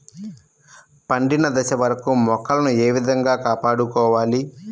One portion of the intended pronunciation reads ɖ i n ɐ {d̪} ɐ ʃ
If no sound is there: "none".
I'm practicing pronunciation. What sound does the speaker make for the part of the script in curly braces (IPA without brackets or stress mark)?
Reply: d̪